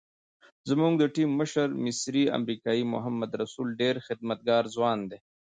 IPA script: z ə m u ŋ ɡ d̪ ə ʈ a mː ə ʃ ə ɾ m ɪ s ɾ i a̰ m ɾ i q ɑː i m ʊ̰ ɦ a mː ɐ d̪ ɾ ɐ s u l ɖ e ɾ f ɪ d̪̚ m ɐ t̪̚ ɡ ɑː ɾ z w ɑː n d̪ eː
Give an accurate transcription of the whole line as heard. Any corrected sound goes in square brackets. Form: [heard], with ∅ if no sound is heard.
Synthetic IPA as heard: z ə m u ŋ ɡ d̪ ə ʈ [i] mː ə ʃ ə ɾ m ɪ s ɾ i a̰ m ɾ i [k] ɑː i m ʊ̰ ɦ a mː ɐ d̪ ɾ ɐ s u l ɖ e ɾ [x] ɪ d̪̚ m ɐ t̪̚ ɡ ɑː ɾ z w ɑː n d̪ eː